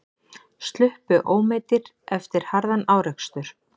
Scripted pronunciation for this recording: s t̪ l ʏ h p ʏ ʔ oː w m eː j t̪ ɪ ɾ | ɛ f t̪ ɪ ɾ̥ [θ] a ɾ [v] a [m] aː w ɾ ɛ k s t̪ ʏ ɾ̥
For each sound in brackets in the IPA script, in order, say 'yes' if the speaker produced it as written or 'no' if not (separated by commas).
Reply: no, no, no